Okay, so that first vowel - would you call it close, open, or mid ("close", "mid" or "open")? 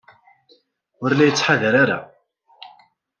close